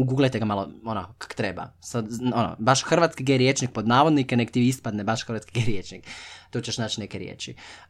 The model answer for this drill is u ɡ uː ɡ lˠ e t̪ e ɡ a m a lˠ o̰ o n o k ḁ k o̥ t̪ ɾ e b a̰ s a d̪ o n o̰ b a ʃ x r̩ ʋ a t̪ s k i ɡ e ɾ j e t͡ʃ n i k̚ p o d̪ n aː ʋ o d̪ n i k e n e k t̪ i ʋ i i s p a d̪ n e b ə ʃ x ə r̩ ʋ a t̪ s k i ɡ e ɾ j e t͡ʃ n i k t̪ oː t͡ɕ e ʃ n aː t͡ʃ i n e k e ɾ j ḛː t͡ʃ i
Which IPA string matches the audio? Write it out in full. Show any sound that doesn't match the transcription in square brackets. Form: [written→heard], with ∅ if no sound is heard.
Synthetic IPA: u ɡ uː ɡ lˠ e t̪ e ɡ a m a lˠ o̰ o n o k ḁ k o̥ t̪ ɾ e b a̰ s a d̪ o n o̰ b a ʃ x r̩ ʋ a t̪ s k i ɡ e ɾ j e t͡ʃ n i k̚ p o d̪ n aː ʋ o d̪ n i k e n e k t̪ i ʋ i i s p a d̪ n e b [ə→a] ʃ x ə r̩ ʋ a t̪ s k i ɡ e ɾ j e t͡ʃ n i k t̪ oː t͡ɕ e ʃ n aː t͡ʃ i n e k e ɾ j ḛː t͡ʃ i